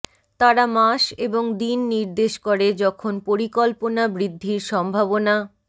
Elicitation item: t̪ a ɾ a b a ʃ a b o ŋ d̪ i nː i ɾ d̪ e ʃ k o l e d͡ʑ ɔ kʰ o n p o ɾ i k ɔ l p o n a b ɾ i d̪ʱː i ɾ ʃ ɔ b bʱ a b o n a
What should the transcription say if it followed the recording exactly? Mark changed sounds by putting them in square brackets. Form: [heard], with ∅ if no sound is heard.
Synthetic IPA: t̪ a ɾ a [m] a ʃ [e] b o ŋ d̪ i nː i ɾ d̪ e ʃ k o [ɾ] e d͡ʑ ɔ kʰ o n p o ɾ i k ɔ l p o n a b ɾ i d̪ʱː i ɾ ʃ ɔ [m] bʱ a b o n a

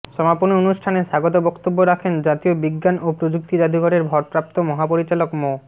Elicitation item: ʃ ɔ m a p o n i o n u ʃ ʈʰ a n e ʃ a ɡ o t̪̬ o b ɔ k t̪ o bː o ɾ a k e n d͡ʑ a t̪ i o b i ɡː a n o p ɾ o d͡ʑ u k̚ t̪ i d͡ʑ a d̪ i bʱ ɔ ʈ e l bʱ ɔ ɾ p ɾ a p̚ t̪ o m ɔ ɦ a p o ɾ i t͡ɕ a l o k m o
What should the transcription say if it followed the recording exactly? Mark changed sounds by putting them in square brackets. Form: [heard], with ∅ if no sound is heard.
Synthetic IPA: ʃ ɔ m a p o n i o n u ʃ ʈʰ a n e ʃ a ɡ o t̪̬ o b ɔ k t̪ o bː o ɾ a [kʰ] e n d͡ʑ a t̪ i o b i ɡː a n o p ɾ o d͡ʑ u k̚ t̪ i d͡ʑ a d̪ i [ɡʱ] ɔ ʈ e [ɾ] bʱ ɔ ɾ p ɾ a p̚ t̪ o m ɔ ɦ a p o ɾ i t͡ɕ a l o k m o

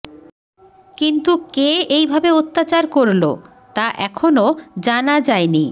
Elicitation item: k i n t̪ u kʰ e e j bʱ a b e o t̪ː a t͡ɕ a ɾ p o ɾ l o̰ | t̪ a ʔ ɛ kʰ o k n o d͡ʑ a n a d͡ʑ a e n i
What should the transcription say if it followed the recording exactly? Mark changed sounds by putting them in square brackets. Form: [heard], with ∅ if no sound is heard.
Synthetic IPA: k i n t̪ u [k] e e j bʱ a b e o t̪ː a t͡ɕ a ɾ [k] o ɾ l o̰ | t̪ a ʔ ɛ kʰ o [∅] n o d͡ʑ a n a d͡ʑ a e n i

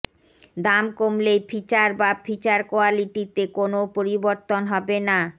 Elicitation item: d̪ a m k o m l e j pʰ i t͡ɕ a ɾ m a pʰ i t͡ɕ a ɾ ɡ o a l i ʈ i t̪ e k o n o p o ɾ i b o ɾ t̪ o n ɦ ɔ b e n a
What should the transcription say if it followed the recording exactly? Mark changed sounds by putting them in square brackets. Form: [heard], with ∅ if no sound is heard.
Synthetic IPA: d̪ a m k o m l e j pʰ i t͡ɕ a ɾ [b] a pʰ i t͡ɕ a ɾ [k] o a l i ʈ i t̪ e k o n o p o ɾ i b o ɾ t̪ o n ɦ ɔ b e n a

